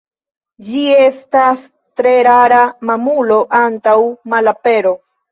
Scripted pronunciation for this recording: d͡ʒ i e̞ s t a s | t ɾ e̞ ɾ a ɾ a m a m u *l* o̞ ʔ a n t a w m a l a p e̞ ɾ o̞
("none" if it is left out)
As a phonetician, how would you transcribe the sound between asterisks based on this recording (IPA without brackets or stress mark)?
l